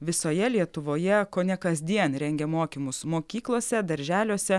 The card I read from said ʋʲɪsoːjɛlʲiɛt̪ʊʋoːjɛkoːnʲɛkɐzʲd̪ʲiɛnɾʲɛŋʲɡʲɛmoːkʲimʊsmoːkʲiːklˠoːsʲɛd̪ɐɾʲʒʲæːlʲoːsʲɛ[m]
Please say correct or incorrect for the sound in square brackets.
incorrect